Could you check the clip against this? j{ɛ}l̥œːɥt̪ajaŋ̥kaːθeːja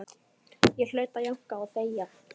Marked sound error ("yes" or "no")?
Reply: no